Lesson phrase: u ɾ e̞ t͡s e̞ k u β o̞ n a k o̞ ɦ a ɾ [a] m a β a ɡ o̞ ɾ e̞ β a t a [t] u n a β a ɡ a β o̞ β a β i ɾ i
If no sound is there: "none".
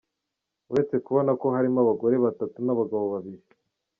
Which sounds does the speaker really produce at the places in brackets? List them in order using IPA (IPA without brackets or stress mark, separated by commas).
i, t